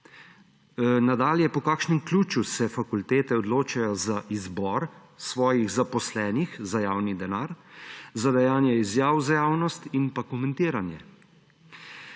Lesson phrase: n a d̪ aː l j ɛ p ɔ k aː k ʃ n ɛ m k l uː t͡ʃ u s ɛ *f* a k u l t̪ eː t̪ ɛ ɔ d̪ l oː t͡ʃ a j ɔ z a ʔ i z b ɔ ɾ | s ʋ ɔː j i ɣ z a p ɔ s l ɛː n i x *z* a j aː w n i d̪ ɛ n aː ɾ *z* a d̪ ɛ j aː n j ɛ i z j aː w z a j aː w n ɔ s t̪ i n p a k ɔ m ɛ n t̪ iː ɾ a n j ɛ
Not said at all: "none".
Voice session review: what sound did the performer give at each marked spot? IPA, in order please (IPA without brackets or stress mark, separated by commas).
f, z, z